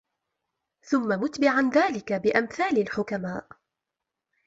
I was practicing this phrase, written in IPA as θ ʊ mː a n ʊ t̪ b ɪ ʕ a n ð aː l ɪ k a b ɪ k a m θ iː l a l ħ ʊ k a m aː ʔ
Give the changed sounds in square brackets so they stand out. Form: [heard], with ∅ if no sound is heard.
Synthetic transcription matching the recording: θ ʊ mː a [m] ʊ t̪ b ɪ ʕ a n ð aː l ɪ k a b ɪ [ʔ] a m θ [aː] l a l ħ ʊ k a m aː ʔ

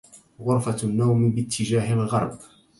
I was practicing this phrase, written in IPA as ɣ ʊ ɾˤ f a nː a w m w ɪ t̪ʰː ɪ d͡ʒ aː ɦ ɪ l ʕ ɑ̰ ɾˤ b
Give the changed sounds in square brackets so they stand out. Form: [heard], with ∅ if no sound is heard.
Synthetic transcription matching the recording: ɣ ʊ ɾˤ f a nː a w m [b] ɪ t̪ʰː ɪ d͡ʒ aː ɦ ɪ l [ɣ] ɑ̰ ɾˤ b

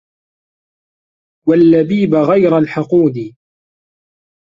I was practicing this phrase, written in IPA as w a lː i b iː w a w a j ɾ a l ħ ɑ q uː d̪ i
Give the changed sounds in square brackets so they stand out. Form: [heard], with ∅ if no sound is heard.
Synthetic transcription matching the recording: w a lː [a] b iː [b] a [ɣ] a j ɾ a l ħ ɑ q uː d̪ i

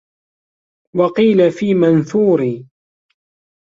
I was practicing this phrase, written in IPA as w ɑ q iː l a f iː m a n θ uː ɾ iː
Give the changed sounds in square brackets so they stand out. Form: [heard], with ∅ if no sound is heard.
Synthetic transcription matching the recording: w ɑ q iː l a f iː m a n θ uː ɾ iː

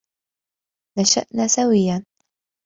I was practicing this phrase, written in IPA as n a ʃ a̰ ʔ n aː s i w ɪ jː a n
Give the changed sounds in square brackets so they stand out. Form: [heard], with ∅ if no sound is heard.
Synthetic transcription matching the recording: n a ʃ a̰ ʔ n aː s [a] w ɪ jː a n

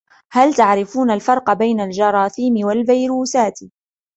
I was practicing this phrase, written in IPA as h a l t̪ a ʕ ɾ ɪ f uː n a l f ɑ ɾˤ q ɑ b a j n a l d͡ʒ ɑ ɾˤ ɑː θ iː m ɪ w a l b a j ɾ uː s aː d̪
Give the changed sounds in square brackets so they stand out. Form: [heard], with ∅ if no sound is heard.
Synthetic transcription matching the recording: h a l t̪ a ʕ ɾ ɪ f uː n a l f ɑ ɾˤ q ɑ b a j n a l d͡ʒ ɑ ɾˤ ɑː θ iː m ɪ w a l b a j ɾ uː s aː [t̪]

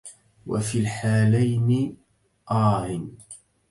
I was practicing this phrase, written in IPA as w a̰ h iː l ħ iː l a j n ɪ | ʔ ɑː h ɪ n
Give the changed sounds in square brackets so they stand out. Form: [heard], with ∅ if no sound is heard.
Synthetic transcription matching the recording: w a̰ [f] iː l ħ [aː] l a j n ɪ | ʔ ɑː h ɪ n

